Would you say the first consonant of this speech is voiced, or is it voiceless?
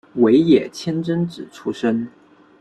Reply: voiced